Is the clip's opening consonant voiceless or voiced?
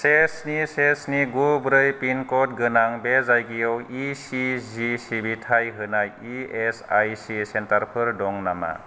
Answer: voiceless